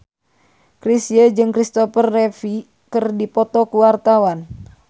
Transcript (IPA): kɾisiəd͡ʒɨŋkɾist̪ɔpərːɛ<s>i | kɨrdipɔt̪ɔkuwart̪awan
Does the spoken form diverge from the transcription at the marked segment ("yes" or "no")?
yes